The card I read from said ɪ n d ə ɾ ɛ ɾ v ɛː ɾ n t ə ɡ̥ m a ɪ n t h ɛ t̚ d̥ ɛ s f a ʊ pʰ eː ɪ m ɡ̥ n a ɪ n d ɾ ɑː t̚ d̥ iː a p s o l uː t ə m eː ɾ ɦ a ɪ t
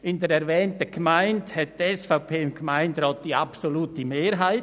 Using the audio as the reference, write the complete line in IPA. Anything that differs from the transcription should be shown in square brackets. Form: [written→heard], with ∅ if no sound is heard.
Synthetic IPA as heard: ɪ n d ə ɾ ɛ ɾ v ɛː [ɾ→∅] n t ə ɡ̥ m a ɪ n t h ɛ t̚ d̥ ɛ s f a ʊ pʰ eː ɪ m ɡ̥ [n→m] a ɪ n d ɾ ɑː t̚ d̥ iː a p s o l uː t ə m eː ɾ ɦ a ɪ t